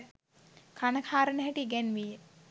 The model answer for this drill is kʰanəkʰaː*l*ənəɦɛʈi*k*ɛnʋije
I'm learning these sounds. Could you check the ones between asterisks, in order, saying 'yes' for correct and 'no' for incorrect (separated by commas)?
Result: no, no